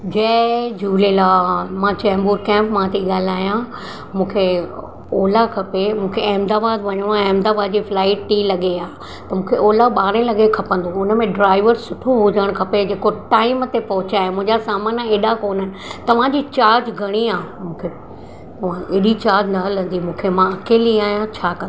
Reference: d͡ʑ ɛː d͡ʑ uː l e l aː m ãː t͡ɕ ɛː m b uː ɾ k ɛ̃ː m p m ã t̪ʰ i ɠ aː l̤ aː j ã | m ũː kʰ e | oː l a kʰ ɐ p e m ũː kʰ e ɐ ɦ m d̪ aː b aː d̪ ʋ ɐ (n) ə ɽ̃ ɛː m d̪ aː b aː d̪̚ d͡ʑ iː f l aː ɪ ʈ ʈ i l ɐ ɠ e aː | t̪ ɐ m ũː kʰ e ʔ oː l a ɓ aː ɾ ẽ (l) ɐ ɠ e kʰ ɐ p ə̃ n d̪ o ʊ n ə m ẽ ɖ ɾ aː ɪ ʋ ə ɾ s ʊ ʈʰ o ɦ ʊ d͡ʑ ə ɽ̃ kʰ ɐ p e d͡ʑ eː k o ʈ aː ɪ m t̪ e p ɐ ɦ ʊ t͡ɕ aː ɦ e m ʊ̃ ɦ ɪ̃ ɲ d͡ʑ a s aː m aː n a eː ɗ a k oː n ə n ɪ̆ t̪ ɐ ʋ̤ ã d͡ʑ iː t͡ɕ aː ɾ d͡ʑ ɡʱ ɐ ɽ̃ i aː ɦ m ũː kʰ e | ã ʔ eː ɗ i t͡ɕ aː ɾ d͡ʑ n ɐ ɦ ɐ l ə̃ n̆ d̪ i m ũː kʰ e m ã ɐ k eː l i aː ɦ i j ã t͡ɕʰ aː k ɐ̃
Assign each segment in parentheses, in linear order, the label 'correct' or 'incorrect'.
incorrect, correct

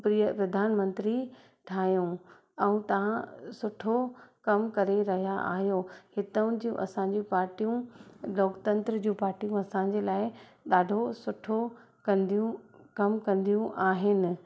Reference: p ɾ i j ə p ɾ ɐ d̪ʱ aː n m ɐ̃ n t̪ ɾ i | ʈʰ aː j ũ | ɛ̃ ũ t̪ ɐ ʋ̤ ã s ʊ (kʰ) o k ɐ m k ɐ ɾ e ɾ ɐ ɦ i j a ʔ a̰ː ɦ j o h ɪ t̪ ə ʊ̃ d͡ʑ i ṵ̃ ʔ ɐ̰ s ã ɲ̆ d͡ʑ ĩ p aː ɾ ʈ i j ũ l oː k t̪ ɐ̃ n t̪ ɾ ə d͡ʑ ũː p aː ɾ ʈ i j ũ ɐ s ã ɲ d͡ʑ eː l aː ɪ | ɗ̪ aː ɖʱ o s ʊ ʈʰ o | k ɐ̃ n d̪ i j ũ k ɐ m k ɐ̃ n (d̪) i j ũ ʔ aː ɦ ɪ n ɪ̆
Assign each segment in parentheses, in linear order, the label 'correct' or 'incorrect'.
incorrect, correct

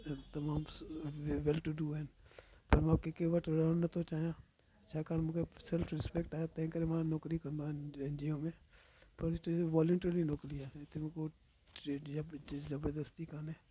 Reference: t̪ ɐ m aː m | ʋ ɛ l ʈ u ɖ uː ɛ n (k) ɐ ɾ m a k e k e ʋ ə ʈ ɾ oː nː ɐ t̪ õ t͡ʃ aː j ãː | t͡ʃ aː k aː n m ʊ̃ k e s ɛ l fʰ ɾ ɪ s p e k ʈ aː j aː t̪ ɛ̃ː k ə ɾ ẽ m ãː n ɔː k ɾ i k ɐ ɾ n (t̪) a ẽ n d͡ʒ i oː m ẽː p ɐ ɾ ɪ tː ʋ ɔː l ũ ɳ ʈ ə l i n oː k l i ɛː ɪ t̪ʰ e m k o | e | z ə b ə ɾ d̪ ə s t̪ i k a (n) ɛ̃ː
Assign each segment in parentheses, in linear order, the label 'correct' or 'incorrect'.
incorrect, incorrect, correct

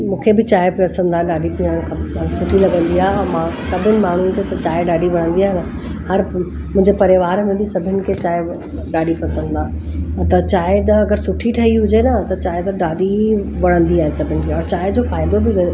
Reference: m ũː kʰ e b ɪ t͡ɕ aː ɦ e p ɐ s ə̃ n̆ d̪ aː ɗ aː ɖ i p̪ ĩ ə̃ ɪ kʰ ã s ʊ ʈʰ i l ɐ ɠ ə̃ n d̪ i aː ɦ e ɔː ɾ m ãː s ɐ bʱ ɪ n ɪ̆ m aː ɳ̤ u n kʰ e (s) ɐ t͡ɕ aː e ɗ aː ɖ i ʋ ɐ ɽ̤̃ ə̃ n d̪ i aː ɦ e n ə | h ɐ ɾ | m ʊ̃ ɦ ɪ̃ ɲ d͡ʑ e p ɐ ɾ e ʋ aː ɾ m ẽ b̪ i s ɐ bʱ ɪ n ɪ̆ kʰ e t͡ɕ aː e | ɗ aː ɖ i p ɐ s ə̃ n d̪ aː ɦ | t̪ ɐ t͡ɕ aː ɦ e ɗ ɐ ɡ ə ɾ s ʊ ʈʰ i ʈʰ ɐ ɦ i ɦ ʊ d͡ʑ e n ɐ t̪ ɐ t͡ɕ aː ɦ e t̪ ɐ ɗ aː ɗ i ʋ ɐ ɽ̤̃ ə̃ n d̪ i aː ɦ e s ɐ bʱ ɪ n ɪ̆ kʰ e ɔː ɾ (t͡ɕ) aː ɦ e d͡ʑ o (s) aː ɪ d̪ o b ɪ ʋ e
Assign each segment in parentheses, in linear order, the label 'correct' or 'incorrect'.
correct, correct, incorrect

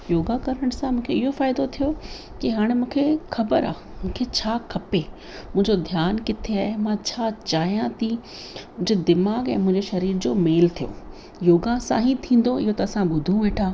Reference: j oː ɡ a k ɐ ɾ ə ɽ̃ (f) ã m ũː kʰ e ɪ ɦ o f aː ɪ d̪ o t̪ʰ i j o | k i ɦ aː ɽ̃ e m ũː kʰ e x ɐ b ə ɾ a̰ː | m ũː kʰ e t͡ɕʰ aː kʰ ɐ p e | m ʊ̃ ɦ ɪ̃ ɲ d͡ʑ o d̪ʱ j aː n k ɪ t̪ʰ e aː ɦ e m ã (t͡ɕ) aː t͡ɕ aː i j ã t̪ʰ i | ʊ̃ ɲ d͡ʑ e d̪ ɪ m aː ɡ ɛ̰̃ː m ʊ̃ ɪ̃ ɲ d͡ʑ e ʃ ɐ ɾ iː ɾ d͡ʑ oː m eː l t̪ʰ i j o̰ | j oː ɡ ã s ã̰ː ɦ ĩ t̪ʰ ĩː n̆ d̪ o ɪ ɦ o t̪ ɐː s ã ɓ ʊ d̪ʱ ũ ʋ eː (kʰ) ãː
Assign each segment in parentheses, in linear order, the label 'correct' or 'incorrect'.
incorrect, incorrect, incorrect

